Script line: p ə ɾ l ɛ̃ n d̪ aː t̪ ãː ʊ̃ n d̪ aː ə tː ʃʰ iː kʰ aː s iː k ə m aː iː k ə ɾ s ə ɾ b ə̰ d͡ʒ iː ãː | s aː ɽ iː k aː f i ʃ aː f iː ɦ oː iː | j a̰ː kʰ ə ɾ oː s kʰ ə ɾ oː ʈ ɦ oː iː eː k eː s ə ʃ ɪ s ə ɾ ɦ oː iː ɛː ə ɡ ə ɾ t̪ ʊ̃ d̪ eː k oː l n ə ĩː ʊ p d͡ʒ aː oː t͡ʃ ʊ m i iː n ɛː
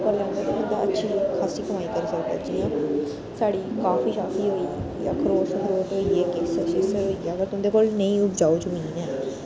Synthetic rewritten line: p ə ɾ l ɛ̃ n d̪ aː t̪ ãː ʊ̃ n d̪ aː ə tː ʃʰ iː kʰ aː s iː k ə m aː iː k ə ɾ s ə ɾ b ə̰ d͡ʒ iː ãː | s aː ɽ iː k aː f iː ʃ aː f iː ɦ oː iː | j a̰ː kʰ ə ɾ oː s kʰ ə ɾ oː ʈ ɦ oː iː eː k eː s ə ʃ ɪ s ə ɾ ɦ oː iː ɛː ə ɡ ə ɾ t̪ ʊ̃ d̪ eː k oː l n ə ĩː ʊ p d͡ʒ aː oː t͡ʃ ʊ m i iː n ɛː